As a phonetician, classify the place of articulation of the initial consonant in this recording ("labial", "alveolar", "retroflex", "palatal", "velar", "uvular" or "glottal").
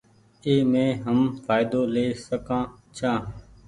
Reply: labial